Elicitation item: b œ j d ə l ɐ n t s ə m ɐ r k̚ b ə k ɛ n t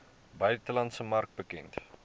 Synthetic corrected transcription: b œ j t ə l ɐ n t s ə m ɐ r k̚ b ə k ɛ n t